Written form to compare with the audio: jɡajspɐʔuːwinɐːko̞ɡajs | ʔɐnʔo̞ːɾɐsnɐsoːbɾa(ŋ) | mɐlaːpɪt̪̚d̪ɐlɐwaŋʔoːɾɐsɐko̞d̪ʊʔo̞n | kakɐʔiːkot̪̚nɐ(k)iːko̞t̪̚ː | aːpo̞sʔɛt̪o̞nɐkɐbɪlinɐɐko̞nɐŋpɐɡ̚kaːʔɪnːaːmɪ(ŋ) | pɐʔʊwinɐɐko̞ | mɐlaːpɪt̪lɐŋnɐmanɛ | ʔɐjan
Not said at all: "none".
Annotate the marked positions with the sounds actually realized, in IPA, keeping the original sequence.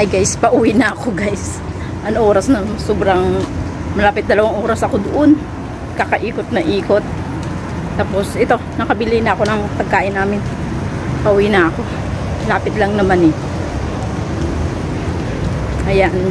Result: ŋ, ʔ, n

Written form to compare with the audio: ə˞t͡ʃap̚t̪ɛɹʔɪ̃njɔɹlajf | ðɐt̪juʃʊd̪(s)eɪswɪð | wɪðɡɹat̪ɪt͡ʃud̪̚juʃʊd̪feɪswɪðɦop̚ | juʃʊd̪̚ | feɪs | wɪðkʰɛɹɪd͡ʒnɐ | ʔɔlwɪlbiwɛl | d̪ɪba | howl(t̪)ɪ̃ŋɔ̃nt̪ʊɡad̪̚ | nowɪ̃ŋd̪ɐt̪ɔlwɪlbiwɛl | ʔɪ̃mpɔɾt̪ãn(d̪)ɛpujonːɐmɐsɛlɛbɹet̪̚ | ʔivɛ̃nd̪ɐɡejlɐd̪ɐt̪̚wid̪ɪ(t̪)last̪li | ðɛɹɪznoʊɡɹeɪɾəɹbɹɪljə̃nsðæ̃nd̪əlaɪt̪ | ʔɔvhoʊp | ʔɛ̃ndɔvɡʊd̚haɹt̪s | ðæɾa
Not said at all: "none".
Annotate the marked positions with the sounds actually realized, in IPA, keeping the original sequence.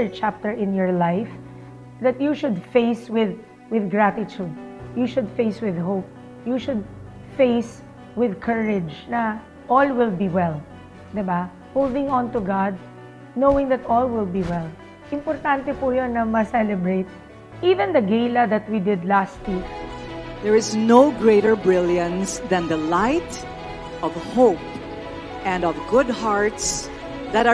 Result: f, d̪, t̪, d̪

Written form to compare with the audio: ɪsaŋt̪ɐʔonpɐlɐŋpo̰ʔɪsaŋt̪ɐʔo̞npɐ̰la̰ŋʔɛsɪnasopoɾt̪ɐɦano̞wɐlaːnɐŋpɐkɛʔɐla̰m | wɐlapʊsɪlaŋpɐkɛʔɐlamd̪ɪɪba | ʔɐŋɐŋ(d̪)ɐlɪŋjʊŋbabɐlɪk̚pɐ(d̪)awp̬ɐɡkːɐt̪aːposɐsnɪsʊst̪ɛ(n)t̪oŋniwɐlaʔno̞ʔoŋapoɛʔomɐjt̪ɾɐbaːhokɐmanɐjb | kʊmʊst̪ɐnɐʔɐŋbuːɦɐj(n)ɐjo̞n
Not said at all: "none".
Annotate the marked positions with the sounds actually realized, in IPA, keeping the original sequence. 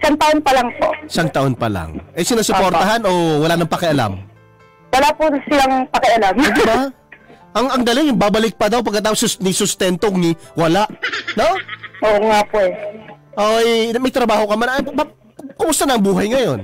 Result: d̪, d̪, n, ŋ

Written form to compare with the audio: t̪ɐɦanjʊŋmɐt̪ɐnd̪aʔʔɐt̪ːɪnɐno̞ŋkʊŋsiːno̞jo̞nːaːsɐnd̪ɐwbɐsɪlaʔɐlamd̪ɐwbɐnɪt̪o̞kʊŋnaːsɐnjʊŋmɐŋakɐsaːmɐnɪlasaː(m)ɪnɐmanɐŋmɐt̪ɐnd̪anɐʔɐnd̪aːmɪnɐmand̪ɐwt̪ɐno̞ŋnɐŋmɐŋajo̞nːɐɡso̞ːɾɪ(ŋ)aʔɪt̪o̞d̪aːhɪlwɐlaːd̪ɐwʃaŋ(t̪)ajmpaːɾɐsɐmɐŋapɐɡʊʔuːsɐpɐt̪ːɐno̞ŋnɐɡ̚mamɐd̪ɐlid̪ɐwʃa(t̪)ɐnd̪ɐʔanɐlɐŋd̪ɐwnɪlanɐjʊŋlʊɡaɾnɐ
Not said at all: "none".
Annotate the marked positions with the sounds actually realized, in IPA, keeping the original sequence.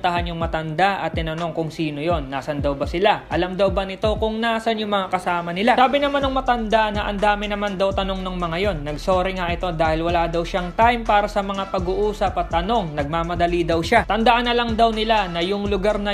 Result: b, ŋ, t̪, t̪

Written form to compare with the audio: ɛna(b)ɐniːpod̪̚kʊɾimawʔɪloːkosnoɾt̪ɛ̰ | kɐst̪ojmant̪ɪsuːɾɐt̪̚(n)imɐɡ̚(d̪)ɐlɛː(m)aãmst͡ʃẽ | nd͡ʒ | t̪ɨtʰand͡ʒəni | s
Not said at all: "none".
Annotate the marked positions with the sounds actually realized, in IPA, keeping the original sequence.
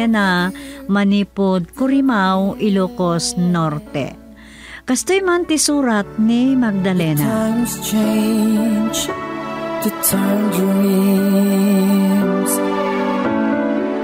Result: m, n, d̪, n

